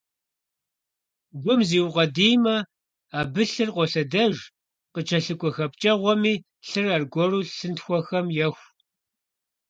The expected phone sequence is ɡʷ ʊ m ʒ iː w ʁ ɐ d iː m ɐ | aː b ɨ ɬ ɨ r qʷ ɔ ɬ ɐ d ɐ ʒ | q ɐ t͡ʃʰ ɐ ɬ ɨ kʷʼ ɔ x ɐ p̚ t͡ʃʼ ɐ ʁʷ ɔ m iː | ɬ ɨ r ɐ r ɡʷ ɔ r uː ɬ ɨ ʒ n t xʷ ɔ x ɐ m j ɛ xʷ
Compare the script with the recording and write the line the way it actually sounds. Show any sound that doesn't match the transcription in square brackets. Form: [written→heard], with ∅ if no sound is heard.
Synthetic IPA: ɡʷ ʊ m [ʒ→z] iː w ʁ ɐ d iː m ɐ | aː b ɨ ɬ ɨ r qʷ ɔ ɬ ɐ d ɐ ʒ | q [ɐ→ə] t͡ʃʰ ɐ ɬ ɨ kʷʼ ɔ x ɐ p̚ t͡ʃʼ ɐ ʁʷ ɔ m iː | ɬ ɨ r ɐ r ɡʷ ɔ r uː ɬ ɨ [ʒ→∅] n t xʷ ɔ x ɐ m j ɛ xʷ